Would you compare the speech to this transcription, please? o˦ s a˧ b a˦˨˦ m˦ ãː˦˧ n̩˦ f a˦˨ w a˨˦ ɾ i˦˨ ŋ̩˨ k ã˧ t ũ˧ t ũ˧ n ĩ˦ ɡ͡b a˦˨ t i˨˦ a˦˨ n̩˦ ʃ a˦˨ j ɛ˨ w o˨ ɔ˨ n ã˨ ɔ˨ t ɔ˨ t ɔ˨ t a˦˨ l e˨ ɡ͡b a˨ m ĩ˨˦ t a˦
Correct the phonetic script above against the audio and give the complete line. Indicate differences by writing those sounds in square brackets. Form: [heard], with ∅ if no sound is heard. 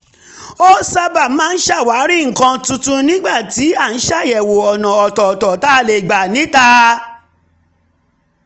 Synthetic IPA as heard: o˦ s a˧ b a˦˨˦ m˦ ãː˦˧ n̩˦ [ʃ] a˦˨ w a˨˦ ɾ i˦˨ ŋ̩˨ k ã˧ t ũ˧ t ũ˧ n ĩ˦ ɡ͡b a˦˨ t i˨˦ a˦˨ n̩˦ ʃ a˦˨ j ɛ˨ w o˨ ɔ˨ n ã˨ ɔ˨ t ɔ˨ t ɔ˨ t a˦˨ l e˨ ɡ͡b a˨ [n] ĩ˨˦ t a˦